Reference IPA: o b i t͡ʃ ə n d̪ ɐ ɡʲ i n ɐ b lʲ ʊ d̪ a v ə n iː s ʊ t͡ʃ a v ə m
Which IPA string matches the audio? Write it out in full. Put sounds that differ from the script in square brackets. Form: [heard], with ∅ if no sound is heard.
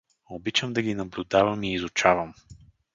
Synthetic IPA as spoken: o b i t͡ʃ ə [m] d̪ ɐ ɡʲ i n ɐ b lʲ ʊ d̪ a v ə [m] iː [z] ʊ t͡ʃ a v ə m

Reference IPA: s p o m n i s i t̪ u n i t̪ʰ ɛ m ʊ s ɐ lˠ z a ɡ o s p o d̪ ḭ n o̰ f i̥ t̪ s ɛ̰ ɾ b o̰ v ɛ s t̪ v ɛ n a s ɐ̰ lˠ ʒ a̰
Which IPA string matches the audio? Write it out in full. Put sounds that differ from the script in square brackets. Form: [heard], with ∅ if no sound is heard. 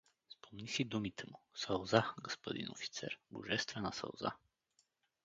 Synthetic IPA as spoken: s p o m n i s i [d̪] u [m] i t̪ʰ ɛ m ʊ s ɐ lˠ z a ɡ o s p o d̪ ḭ n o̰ f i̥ t̪ s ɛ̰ ɾ b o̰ [ʒ] ɛ s t̪ v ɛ n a s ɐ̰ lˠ [z] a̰

